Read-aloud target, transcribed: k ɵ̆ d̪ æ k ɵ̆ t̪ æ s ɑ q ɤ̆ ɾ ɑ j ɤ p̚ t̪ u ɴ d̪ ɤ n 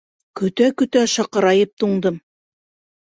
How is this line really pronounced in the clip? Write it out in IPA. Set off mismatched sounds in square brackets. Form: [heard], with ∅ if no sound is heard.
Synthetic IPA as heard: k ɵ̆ [t̪] æ k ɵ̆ t̪ æ [ʃ] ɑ q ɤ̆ ɾ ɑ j ɤ p̚ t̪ u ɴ d̪ ɤ [m]